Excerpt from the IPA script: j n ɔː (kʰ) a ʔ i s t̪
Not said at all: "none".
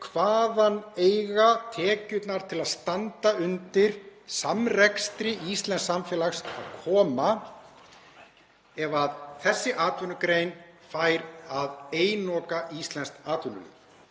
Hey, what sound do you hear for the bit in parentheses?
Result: k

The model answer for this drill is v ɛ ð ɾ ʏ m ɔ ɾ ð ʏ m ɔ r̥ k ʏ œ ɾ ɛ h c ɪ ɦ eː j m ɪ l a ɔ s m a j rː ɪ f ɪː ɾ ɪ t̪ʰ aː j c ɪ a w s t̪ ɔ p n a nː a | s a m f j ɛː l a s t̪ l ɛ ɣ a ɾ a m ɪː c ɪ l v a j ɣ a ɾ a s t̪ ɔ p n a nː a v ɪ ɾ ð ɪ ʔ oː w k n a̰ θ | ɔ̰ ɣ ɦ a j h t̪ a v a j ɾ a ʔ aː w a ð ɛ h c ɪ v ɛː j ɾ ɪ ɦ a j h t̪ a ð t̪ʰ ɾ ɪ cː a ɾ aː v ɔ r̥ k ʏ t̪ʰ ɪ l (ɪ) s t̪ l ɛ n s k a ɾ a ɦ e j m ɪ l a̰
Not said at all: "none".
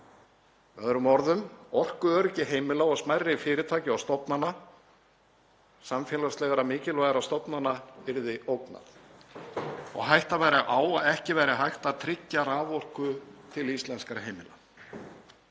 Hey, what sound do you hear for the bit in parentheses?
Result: i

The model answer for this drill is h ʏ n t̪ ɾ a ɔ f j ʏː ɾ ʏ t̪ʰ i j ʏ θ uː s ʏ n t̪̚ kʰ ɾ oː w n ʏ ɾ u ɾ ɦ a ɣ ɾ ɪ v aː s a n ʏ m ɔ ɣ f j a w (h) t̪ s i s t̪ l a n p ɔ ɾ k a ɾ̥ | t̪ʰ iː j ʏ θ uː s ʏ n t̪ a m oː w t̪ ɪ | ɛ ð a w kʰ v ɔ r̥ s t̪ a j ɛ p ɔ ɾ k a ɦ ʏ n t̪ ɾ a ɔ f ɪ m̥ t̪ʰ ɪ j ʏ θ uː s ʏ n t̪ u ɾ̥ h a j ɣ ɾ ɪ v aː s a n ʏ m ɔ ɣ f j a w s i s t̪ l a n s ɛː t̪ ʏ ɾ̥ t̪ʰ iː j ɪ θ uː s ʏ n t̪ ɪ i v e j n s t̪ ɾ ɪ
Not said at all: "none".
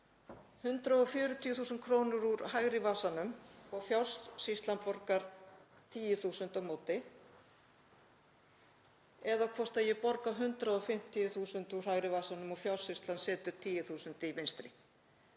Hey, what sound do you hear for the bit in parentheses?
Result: s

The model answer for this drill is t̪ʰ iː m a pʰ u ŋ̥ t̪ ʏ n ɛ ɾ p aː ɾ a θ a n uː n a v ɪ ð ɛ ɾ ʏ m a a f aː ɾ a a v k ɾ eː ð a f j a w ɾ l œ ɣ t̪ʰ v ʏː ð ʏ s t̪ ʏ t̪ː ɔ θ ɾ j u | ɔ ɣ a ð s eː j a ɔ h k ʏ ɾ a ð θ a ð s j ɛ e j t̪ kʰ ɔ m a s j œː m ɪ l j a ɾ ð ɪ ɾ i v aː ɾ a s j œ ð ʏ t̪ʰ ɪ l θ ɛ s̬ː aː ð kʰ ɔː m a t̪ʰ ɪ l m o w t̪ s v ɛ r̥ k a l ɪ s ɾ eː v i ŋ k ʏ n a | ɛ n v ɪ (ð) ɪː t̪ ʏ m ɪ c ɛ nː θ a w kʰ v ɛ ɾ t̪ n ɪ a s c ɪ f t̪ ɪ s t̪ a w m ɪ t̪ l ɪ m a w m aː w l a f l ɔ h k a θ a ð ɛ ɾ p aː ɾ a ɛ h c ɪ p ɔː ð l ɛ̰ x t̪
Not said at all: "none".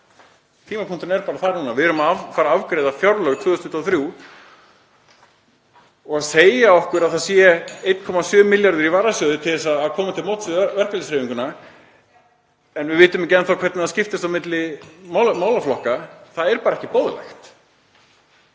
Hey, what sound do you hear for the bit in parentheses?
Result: v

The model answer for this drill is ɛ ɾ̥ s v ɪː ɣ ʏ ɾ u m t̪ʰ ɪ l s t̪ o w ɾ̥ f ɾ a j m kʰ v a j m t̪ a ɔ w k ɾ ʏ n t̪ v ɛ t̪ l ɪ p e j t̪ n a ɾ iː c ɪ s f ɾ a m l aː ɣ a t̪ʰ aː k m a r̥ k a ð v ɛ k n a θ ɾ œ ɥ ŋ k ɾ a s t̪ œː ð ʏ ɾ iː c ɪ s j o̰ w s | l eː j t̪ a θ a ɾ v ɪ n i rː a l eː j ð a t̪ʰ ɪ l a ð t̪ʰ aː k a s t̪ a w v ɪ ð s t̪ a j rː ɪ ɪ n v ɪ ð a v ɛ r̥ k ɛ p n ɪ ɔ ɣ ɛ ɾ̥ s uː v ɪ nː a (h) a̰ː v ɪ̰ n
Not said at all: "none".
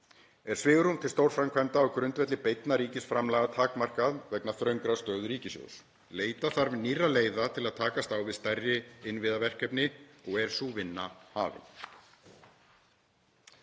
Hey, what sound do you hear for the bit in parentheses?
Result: h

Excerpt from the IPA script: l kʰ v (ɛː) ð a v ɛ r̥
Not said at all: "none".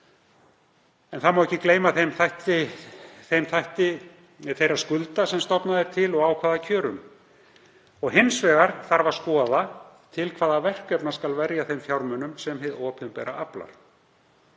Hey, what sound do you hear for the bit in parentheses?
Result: aː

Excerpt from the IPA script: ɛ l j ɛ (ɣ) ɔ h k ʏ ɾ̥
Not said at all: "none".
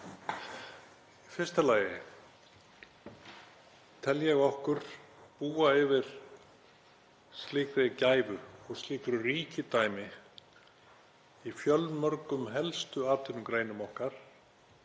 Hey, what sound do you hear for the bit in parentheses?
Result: ɣ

